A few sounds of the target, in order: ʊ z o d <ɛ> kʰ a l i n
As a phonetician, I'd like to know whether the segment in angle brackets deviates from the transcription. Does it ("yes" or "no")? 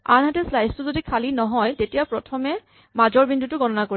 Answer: yes